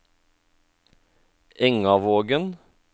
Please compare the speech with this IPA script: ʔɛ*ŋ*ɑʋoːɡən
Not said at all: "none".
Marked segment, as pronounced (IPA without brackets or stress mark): ŋ